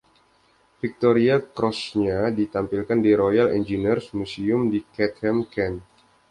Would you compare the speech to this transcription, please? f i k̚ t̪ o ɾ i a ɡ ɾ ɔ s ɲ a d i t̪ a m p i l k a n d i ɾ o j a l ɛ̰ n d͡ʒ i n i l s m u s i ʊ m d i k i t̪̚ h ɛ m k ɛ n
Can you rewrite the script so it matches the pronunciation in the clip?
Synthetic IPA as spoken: f i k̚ t̪ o ɾ i a k ɾ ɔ s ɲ a d i t̪ a m p i l k a n d i ɾ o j a l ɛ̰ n d͡ʒ i n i r s m u s i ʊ m d i k ɛ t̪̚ h ɛ m k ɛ n